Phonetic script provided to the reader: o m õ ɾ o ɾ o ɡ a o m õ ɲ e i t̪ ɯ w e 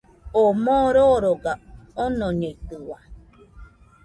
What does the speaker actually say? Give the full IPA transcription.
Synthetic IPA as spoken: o m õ ɾ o ɾ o ɡ a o n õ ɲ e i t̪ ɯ w a